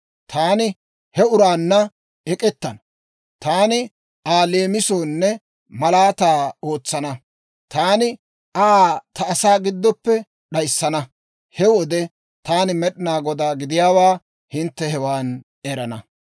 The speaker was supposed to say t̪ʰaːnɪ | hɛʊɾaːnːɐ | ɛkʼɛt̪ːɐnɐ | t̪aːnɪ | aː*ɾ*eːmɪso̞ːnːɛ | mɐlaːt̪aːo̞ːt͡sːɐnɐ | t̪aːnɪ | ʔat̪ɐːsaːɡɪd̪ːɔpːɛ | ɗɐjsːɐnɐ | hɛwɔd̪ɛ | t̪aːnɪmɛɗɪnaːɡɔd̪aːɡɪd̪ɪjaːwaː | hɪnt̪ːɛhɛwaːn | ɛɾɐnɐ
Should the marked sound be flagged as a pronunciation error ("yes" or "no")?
yes